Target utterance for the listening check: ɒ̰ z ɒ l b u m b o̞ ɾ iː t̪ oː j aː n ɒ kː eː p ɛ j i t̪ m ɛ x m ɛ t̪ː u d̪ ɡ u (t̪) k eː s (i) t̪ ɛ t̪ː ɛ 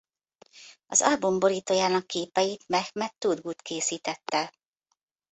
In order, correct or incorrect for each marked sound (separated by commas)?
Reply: correct, incorrect